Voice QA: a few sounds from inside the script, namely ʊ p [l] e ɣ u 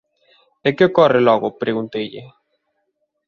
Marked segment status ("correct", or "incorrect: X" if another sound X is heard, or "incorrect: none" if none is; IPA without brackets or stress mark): incorrect: ɾ